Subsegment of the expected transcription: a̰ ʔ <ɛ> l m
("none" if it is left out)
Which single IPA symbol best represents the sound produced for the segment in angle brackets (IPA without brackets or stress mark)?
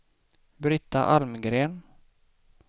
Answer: a